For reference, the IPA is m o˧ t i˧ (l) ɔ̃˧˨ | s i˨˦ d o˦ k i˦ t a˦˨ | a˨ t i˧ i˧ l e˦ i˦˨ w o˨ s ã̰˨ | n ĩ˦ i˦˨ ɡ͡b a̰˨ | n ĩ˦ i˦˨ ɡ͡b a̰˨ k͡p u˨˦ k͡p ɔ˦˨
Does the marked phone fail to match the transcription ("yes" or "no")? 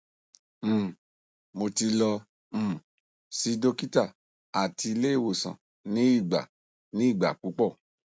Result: no